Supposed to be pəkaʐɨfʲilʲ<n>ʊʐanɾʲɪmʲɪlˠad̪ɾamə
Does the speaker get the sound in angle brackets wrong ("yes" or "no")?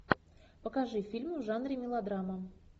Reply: yes